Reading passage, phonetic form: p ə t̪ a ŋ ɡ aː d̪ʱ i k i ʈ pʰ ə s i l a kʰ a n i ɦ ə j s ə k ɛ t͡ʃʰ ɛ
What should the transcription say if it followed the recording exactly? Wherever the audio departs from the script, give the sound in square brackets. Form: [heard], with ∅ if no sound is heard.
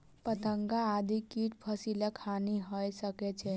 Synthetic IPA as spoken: p ə t̪ [ə] ŋ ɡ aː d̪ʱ i k i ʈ pʰ ə s i l a kʰ a n i ɦ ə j s ə k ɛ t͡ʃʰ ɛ